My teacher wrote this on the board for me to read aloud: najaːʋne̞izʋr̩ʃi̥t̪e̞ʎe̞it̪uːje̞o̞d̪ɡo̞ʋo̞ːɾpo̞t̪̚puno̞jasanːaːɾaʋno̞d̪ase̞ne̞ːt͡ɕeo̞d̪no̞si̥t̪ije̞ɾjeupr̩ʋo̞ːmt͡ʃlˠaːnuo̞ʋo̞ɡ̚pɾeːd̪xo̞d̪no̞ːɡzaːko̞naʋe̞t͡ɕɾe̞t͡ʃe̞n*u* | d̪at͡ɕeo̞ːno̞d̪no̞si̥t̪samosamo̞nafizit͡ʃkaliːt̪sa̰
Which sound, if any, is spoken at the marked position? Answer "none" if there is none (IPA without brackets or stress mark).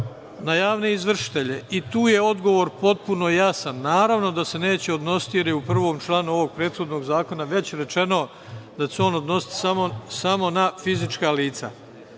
o